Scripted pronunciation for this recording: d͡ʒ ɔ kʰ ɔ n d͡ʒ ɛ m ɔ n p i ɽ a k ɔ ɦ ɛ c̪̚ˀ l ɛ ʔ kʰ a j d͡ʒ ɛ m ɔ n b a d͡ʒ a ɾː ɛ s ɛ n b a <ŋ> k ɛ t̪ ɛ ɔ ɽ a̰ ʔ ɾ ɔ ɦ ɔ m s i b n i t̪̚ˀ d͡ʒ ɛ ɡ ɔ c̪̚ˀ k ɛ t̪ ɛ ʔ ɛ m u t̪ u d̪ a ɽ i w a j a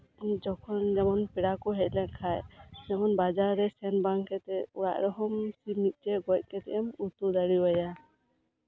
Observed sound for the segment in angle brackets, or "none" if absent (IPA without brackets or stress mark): ŋ